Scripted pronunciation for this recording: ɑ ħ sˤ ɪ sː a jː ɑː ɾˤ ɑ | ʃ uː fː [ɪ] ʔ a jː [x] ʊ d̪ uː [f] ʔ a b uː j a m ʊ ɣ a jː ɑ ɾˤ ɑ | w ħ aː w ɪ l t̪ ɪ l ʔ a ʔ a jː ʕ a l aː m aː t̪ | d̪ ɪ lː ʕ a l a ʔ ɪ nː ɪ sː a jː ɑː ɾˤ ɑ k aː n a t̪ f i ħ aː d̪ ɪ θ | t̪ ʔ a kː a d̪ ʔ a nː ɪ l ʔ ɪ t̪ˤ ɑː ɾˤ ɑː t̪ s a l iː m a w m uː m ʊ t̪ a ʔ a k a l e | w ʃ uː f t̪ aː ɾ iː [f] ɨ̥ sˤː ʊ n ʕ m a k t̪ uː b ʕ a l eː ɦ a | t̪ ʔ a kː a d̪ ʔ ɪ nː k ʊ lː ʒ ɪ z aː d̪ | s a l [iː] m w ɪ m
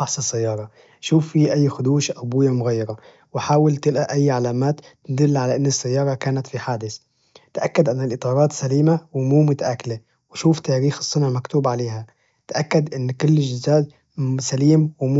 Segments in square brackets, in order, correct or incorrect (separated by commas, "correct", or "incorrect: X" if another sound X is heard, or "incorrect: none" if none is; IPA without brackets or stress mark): incorrect: i, correct, incorrect: ʃ, incorrect: x, correct